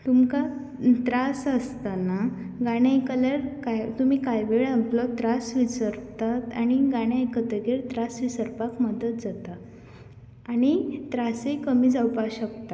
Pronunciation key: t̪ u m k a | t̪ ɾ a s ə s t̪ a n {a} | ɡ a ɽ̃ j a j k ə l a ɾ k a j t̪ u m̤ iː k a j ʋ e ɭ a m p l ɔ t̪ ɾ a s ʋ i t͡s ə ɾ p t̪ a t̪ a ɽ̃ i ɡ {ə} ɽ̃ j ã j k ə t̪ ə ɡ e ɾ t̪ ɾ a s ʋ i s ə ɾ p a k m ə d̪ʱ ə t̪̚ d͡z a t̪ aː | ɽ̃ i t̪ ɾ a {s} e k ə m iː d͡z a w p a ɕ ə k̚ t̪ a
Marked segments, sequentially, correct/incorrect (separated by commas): correct, incorrect, correct